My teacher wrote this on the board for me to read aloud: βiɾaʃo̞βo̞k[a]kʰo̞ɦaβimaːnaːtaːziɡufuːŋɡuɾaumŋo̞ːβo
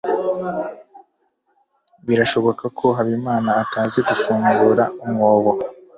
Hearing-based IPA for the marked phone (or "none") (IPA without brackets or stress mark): a